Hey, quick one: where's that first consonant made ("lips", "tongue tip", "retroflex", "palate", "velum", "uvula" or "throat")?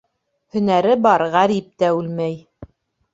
throat